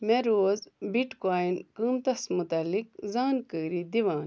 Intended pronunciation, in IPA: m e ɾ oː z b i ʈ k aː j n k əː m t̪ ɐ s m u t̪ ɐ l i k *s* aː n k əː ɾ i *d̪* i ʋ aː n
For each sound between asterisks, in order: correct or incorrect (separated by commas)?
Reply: incorrect, correct